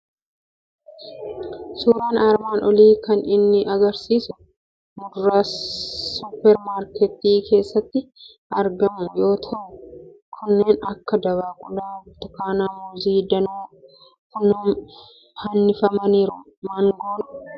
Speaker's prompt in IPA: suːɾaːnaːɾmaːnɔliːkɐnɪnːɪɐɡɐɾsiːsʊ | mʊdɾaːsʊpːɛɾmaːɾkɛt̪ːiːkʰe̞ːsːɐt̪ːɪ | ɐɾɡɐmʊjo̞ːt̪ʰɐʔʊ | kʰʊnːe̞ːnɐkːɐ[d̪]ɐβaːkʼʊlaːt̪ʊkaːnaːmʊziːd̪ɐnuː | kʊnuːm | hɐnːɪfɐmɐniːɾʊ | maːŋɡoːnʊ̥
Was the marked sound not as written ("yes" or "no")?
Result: no